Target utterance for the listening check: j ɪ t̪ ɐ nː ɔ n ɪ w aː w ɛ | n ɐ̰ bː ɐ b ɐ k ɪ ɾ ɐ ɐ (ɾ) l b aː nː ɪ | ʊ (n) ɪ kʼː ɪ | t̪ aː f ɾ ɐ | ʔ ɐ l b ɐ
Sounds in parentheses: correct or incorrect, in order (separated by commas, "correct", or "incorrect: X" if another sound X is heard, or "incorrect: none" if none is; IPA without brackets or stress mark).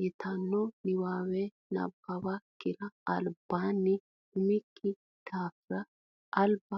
incorrect: none, incorrect: m